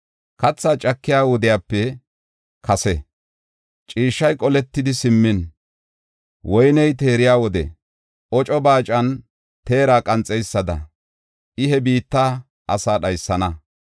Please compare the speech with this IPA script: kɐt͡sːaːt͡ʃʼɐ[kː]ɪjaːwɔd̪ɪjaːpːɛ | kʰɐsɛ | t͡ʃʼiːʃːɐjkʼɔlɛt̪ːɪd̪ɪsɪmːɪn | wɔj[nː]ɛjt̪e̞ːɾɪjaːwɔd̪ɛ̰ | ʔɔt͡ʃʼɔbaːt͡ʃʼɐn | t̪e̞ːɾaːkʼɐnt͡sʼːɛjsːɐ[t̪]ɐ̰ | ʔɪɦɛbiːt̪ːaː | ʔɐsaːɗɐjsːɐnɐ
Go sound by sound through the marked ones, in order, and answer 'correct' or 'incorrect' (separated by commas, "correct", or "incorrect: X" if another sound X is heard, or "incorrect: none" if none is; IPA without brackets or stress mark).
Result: correct, incorrect: n, incorrect: d̪